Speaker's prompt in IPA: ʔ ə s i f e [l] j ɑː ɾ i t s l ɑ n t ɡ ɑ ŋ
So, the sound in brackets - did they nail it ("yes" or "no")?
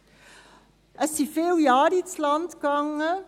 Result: yes